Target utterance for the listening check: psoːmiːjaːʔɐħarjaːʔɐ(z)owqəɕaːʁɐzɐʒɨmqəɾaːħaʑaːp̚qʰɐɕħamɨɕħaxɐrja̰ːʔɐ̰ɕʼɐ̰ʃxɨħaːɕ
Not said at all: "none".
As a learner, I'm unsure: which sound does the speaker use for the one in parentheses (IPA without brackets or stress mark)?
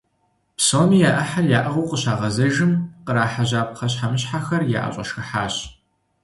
ʁ